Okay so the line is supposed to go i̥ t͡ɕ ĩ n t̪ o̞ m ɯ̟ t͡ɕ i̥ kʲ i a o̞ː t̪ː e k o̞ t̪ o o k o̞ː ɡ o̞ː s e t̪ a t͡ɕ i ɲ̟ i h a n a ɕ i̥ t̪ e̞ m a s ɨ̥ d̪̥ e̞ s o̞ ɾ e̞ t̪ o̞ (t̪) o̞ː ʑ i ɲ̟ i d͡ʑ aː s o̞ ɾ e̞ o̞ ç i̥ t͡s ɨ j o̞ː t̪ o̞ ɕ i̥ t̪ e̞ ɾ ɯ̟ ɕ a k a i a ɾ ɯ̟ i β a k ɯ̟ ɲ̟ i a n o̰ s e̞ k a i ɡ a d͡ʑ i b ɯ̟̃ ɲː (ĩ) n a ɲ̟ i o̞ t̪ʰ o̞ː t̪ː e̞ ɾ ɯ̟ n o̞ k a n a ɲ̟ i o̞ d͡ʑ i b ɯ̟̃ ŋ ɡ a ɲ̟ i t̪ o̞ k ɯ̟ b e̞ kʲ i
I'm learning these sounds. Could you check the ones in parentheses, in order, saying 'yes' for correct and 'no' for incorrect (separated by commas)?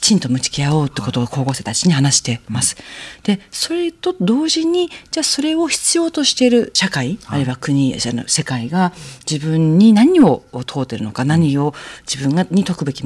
no, no